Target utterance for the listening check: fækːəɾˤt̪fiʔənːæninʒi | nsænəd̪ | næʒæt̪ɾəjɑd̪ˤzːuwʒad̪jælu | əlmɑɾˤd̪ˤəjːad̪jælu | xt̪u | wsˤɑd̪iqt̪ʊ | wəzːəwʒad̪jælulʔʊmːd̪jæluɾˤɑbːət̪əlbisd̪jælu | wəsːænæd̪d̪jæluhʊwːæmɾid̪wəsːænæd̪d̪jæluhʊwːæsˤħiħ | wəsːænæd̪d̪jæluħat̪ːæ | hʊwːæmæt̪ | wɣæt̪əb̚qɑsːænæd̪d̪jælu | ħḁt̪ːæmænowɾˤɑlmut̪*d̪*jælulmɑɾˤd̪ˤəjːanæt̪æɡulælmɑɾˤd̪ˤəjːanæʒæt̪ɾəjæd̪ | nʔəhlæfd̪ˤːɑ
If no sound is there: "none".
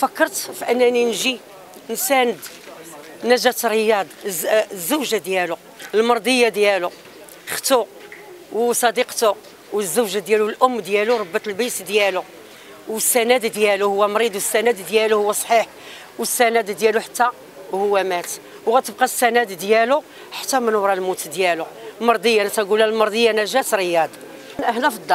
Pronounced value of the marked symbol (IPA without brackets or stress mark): d̪